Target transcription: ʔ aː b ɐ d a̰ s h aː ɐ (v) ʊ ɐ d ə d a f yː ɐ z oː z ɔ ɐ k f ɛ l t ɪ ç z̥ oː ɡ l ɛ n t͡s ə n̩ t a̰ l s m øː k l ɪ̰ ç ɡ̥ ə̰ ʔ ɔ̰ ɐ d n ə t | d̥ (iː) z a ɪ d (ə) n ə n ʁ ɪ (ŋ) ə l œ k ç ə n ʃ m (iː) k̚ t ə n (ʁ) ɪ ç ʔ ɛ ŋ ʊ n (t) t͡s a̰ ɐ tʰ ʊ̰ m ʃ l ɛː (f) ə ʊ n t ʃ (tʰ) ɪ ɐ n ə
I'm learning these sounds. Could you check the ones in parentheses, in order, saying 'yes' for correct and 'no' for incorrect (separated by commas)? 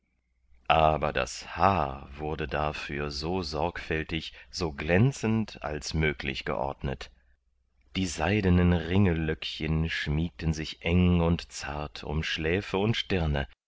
yes, yes, yes, yes, yes, no, yes, yes, no